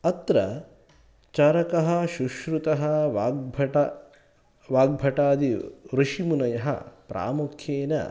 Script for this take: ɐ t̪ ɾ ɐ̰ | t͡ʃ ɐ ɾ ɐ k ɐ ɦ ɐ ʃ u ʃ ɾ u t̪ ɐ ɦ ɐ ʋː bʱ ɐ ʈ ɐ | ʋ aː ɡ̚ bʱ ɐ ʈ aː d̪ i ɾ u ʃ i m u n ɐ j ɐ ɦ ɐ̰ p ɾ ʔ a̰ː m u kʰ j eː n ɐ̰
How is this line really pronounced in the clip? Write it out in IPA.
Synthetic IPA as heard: ɐ t̪ ɾ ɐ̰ | t͡ʃ ɐ ɾ ɐ k ɐ ɦ ɐ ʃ u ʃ ɾ u t̪ ɐ ɦ ɐ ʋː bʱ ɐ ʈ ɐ | ʋ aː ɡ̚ bʱ ɐ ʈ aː d̪ i ɾ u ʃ i m u n ɐ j ɐ ɦ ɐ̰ p ɾ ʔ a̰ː m u kʰ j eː n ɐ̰